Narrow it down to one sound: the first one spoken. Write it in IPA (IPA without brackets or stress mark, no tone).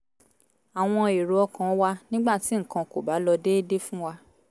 a